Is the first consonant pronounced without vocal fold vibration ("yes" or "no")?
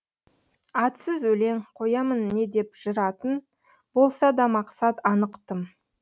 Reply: yes